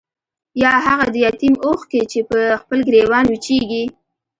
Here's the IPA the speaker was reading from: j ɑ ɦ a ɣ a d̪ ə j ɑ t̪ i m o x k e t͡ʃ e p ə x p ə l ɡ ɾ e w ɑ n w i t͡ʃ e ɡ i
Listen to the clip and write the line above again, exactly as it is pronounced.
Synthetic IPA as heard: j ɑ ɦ a ɣ a d̪ ə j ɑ t̪ i m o x k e t͡ʃ e p ə x p ə l ɡ ɾ e w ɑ n w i t͡ʃ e ɡ i

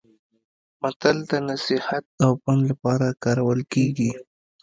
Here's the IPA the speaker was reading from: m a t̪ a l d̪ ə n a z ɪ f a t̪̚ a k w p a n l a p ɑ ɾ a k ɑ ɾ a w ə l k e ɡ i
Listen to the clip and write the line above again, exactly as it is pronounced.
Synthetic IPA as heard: m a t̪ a l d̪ ə n a s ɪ h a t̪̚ a w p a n l a p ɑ ɾ a k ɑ ɾ a w ə l k e ɡ i

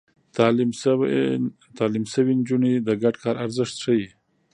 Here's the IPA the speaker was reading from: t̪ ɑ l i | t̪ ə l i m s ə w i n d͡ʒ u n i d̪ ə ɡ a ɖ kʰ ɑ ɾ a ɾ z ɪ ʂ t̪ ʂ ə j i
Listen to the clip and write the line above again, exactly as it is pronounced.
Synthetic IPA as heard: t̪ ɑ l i | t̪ ɑ l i m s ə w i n d͡ʒ u n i d̪ ə ɡ a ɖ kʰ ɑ ɾ a ɾ z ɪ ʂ t̪ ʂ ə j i

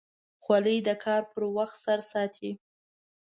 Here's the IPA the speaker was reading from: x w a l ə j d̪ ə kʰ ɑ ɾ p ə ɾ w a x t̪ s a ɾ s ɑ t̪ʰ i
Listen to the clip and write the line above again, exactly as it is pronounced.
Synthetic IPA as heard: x w a l ə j d̪ ə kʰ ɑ ɾ p ə ɾ w a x t̪ s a ɾ s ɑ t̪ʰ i

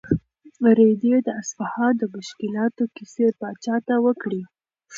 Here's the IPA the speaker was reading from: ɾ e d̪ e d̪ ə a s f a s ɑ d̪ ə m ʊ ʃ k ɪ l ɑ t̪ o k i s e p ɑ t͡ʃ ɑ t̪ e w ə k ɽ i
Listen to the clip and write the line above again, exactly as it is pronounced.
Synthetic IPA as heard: ɾ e d̪ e d̪ ə a s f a h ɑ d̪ ə m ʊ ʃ k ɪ l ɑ t̪ o k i s e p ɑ t͡ʃ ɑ t̪ a w ə k ɽ i

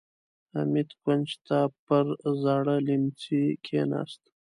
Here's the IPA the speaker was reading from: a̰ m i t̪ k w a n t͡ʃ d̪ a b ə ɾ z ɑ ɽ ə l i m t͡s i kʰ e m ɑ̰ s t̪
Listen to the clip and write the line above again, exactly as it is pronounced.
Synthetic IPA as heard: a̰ m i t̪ k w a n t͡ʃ t̪ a p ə ɾ z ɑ ɽ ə l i m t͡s i kʰ e n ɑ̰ s t̪

